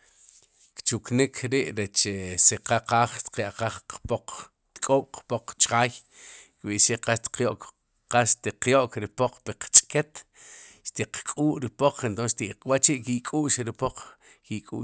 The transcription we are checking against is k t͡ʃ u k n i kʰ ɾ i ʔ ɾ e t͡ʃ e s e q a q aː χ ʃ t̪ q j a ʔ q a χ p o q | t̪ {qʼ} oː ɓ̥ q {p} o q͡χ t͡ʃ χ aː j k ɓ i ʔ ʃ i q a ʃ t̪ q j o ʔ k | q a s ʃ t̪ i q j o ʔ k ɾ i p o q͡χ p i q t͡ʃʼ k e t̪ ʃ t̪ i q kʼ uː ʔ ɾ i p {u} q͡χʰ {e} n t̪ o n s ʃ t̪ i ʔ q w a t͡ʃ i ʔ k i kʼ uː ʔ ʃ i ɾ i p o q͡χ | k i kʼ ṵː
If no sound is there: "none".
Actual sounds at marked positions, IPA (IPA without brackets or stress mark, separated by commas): kʼ, p, o, e